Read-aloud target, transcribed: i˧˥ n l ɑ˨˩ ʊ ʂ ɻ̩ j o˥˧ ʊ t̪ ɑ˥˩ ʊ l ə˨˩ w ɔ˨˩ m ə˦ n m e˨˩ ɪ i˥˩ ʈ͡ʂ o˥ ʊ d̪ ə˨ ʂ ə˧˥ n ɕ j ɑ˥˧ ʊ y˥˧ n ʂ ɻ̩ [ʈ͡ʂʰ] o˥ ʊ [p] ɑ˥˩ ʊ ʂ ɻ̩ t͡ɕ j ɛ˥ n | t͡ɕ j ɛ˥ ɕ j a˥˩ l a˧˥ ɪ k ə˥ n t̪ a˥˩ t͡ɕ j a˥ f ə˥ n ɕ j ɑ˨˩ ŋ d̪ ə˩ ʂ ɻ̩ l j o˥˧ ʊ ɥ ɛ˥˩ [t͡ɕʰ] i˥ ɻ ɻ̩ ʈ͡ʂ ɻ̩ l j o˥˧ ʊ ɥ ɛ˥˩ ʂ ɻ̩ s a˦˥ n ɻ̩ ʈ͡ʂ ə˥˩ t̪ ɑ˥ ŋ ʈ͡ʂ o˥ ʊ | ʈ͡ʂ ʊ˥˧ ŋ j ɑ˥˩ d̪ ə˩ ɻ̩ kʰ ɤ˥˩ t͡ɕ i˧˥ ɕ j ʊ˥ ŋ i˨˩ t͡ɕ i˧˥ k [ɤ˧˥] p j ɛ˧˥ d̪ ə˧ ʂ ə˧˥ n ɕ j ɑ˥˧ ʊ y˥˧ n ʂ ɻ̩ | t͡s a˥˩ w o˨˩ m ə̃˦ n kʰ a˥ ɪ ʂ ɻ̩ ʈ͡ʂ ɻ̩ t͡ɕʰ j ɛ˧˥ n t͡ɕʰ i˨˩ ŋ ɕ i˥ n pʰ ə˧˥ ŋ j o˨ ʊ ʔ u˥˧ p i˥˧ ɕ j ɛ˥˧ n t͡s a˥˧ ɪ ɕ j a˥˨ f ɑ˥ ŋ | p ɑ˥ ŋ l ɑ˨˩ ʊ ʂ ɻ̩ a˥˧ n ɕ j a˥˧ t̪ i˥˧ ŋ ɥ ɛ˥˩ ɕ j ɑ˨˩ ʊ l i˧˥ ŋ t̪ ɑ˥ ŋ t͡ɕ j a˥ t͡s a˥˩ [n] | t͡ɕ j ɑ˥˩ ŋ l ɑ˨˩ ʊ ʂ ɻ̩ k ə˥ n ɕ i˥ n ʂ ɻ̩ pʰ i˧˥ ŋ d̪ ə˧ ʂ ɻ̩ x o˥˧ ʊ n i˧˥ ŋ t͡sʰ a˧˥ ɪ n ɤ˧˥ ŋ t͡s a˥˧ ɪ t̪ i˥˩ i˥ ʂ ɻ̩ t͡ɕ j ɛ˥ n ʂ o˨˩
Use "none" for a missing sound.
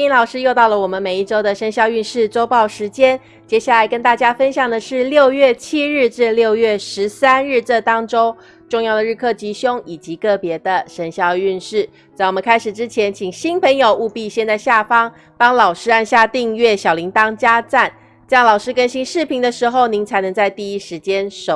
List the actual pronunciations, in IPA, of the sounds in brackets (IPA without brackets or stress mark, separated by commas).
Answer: ʈ͡ʂ, p, t͡ɕʰ, ɤ˥˩, n